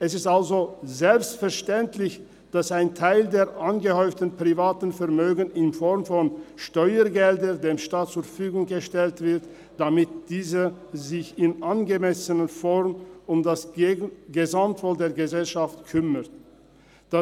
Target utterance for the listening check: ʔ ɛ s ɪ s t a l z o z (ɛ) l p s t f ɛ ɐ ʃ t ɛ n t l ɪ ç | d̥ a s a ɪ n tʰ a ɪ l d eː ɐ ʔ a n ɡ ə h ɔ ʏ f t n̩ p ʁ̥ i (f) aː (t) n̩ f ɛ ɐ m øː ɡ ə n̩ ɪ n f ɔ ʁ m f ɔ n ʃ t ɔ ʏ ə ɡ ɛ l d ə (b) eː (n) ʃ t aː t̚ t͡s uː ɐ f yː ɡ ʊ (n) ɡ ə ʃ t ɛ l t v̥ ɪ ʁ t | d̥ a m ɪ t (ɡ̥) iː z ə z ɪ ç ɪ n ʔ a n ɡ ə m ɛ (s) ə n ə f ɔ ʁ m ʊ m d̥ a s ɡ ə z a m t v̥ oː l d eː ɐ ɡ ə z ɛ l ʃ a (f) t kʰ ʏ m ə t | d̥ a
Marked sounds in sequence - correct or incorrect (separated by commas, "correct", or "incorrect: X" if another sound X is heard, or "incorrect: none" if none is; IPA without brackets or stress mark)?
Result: correct, incorrect: v, correct, incorrect: d, incorrect: m, incorrect: ŋ, incorrect: d̥, correct, correct